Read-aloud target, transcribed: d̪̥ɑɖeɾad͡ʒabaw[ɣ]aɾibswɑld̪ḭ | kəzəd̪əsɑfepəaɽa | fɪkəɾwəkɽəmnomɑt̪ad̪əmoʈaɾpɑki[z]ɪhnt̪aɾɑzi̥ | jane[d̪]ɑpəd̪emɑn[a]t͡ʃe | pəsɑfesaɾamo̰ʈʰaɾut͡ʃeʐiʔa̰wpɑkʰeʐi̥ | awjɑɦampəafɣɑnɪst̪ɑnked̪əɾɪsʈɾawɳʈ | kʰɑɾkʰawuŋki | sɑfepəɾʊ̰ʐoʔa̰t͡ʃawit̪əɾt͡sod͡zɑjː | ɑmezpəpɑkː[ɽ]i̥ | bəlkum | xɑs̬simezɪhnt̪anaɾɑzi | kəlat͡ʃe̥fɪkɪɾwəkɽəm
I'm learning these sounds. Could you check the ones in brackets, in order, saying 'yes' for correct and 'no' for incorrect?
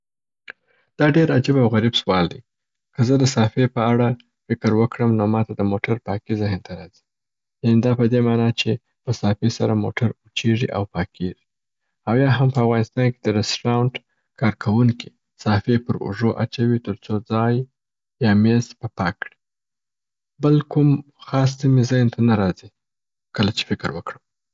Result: yes, yes, yes, no, yes

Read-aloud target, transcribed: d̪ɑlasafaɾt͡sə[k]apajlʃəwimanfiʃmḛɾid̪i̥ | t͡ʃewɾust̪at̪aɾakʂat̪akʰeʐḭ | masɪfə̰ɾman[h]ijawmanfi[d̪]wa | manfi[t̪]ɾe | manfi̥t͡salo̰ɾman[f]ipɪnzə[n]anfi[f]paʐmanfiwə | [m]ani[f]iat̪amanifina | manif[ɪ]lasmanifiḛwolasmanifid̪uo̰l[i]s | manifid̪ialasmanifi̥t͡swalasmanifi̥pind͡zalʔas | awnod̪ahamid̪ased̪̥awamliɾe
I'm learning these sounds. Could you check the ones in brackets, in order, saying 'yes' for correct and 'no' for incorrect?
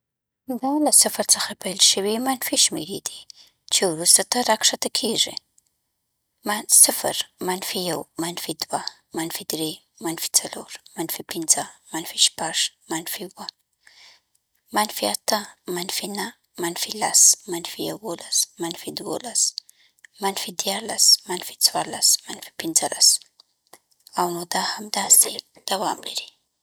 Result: no, no, yes, no, yes, no, no, yes, yes, no, no

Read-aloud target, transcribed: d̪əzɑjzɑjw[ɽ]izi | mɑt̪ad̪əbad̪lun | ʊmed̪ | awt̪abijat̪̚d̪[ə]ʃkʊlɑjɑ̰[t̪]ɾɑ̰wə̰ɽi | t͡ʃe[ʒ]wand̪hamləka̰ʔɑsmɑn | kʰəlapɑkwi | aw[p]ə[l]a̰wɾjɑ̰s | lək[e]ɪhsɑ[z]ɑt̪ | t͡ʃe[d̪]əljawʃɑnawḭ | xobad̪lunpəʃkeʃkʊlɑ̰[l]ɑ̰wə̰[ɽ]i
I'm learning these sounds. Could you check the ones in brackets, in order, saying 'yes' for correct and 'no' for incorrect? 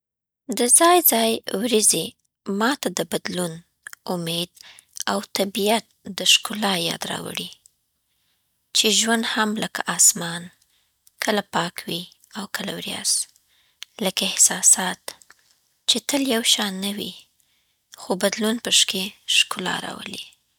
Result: no, yes, no, yes, no, yes, no, no, no, no, no

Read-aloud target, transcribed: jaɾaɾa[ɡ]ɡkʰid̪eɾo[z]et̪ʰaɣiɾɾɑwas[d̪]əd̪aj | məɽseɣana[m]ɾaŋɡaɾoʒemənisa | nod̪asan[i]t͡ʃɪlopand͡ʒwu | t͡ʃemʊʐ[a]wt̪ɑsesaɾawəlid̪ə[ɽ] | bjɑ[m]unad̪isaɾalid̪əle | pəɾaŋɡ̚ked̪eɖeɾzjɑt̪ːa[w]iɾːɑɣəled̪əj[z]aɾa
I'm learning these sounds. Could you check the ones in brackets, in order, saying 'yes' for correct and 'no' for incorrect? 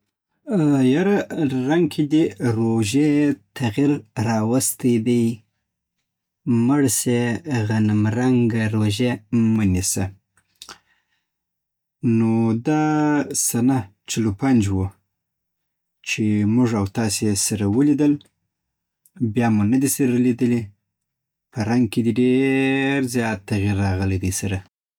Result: no, no, no, yes, no, yes, no, yes, no, no

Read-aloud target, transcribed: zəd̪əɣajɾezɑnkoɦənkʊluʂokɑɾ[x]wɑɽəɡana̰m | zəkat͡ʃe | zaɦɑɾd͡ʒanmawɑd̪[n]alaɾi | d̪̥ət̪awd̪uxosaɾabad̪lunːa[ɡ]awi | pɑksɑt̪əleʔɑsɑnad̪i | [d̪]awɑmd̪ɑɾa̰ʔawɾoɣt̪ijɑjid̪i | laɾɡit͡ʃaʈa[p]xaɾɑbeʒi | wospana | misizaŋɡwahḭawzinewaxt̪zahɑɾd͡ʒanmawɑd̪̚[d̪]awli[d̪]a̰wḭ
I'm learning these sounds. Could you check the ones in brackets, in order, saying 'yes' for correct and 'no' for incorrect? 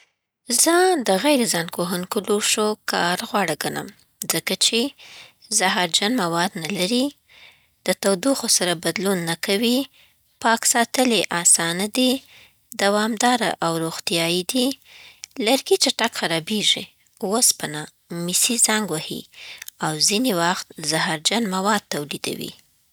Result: no, yes, no, yes, no, no, yes

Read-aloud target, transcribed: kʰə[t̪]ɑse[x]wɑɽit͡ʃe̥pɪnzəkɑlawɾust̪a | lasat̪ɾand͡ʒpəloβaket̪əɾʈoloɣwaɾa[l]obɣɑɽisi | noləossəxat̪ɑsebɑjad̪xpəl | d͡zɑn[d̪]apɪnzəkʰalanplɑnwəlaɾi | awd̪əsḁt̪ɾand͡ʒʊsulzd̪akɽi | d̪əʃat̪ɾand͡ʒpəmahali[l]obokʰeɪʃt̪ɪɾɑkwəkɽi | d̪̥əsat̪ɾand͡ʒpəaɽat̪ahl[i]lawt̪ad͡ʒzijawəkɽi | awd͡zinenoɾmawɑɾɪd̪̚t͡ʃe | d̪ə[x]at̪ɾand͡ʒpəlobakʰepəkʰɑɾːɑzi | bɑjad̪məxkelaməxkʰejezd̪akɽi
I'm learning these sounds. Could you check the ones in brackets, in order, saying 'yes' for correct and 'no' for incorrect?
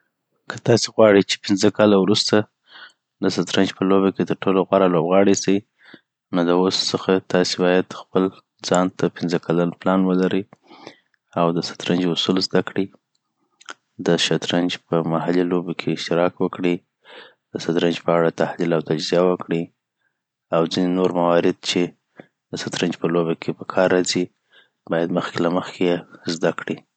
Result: yes, no, yes, no, yes, yes, no

